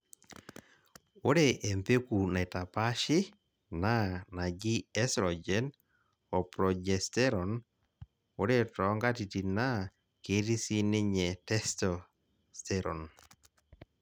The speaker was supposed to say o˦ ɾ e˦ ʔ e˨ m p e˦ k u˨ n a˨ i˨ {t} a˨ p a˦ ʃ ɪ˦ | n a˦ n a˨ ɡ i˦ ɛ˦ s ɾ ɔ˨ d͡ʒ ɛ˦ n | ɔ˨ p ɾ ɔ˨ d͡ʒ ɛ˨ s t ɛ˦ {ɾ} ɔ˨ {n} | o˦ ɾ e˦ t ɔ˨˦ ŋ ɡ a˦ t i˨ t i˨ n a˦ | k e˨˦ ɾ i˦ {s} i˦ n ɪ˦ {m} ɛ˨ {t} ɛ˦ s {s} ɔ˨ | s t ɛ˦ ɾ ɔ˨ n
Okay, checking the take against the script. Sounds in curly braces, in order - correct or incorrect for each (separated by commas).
correct, correct, correct, correct, incorrect, correct, incorrect